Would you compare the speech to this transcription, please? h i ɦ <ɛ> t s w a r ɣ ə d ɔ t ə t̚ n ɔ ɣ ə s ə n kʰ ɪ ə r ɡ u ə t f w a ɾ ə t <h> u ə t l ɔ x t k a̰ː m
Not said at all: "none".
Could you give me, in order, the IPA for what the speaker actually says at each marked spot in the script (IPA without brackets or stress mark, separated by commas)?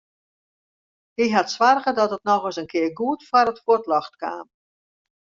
a, f